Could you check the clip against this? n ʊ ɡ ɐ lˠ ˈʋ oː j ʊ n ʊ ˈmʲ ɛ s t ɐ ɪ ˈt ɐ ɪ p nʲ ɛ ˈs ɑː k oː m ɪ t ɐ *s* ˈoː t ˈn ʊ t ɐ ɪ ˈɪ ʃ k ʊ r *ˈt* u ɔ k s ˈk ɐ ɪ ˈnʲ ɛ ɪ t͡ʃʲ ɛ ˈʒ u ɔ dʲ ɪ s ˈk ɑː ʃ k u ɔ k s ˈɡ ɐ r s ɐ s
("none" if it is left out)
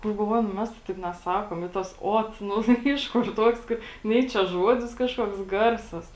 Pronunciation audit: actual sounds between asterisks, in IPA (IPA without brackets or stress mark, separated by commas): s, t